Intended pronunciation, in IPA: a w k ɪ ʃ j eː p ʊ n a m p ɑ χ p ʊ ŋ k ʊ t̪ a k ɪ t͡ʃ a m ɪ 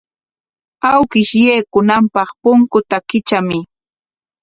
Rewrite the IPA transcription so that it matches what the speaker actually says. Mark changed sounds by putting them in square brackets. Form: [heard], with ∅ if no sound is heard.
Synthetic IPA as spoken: a w k ɪ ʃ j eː [k] ʊ n a m p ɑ χ p ʊ ŋ k ʊ t̪ a k ɪ t͡ʃ a m ɪ